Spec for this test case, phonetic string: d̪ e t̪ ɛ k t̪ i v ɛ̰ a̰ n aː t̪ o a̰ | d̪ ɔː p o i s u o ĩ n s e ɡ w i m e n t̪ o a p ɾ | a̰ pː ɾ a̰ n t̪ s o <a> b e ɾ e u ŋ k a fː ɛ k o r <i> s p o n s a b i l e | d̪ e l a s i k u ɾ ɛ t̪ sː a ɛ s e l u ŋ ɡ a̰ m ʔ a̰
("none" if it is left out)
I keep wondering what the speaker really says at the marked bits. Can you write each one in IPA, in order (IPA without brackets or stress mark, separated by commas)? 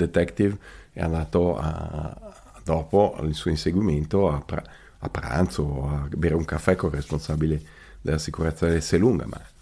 a, e